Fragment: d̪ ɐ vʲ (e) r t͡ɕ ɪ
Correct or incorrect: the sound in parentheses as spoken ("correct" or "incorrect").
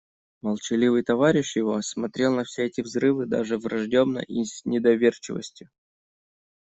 correct